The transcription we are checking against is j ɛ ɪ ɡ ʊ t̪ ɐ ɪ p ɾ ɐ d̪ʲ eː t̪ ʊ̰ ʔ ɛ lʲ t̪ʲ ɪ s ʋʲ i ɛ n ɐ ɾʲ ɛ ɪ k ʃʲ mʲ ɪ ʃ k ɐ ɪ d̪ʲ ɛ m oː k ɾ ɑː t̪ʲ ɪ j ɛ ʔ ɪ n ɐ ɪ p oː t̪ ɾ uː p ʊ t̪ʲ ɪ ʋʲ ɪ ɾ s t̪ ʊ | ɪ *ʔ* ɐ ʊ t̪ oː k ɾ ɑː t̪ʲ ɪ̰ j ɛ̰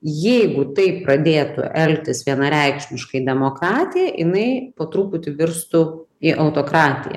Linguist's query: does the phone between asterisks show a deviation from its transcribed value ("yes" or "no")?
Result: no